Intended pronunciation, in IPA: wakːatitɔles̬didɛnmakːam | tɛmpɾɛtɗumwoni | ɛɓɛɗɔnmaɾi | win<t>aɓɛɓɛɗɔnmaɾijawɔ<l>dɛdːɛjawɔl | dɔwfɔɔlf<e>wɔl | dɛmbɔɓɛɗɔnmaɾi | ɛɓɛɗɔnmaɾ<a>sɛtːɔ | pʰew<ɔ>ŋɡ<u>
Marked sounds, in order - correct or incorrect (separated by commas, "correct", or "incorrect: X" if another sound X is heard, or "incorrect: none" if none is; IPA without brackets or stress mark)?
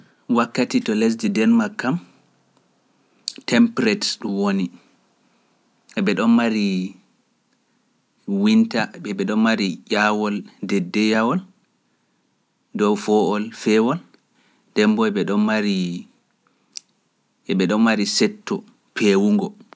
correct, correct, incorrect: ɛ, incorrect: i, incorrect: u, incorrect: ɔ